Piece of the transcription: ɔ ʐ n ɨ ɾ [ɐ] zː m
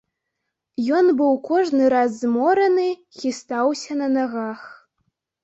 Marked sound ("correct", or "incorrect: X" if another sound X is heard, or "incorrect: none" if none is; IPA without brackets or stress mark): incorrect: a